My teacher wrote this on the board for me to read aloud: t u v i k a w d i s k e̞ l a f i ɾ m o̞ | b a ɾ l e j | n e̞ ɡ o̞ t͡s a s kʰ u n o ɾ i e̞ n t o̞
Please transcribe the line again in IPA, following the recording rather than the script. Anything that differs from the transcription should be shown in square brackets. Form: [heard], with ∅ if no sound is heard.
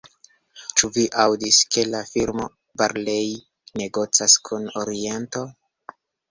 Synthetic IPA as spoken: [t͡ʃ] u v i [ʔ] a w d i s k e̞ l a f i ɾ m o̞ | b a ɾ l e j | n e̞ ɡ o̞ t͡s a s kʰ u n o ɾ i e̞ n t o̞